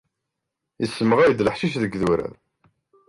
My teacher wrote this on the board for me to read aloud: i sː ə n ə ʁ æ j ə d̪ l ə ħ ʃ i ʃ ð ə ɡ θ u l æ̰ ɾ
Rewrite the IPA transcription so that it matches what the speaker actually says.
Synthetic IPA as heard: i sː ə m ə ʁ æ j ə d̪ l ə ħ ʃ i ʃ ð ə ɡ ð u ɾ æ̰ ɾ